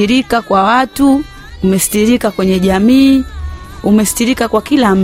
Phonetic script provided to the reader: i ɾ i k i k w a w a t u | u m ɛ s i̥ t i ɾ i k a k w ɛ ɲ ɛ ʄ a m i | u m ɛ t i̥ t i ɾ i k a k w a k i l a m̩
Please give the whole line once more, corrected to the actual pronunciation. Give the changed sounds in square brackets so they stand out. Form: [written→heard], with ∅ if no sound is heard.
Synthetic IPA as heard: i ɾ i k [i→a] k w a w a t u | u m ɛ s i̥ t i ɾ i k a k w ɛ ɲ ɛ ʄ a m [i→iː] | u m ɛ [t→s] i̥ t i ɾ i k a k w a k i l a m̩